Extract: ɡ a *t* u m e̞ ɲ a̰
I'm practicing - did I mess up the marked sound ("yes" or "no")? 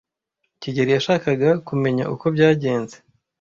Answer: yes